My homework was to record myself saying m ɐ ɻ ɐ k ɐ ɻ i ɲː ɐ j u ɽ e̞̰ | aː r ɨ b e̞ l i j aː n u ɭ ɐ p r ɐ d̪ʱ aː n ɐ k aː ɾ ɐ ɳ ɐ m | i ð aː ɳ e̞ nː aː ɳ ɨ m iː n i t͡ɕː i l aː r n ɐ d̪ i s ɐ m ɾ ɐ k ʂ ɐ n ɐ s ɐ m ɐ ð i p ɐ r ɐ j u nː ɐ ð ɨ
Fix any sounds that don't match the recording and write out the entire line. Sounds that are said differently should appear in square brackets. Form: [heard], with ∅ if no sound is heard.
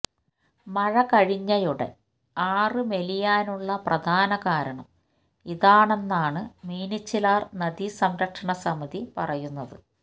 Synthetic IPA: m ɐ ɻ ɐ k ɐ ɻ i ɲː ɐ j u ɽ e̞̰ | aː r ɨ [m] e̞ l i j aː n u [ɭː] ɐ p r ɐ d̪ʱ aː n ɐ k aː ɾ ɐ ɳ ɐ m | i ð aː ɳ e̞ nː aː ɳ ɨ m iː n i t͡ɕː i l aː r n ɐ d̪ i s ɐ m ɾ ɐ k ʂ ɐ [ɳ] ɐ s ɐ m ɐ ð i p ɐ r ɐ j u nː ɐ ð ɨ